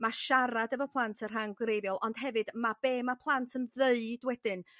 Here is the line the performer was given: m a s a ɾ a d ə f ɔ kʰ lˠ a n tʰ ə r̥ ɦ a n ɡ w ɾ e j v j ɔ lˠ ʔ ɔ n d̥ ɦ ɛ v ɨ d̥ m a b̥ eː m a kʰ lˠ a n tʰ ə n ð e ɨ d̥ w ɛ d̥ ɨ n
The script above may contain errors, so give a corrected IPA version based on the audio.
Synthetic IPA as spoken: m a ʃ a ɾ a d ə v ɔ pʰ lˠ a n tʰ ə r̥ ɦ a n ɡ w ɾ e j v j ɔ lˠ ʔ ɔ n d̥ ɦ ɛ v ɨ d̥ m a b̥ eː m a pʰ lˠ a n tʰ ə n ð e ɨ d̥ w ɛ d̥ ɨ n